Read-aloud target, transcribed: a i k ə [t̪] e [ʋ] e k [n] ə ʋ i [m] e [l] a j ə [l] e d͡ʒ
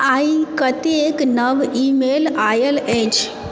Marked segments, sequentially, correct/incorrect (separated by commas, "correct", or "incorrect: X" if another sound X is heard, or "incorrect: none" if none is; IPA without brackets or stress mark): correct, incorrect: none, correct, correct, correct, correct